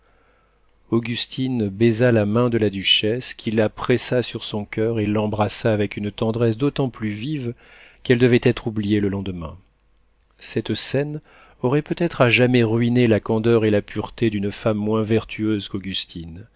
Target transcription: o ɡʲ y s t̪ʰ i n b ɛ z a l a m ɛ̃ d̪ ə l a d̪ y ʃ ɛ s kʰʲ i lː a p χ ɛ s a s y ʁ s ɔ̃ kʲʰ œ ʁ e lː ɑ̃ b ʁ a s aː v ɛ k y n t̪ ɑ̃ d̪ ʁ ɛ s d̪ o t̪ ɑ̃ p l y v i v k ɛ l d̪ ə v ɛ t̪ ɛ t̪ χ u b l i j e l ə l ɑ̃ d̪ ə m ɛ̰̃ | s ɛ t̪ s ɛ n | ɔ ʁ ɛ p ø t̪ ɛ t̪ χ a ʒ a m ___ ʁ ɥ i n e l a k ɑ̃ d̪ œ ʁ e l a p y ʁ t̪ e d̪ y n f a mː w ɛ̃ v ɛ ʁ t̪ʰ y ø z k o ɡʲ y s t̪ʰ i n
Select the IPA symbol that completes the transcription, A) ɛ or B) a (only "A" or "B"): A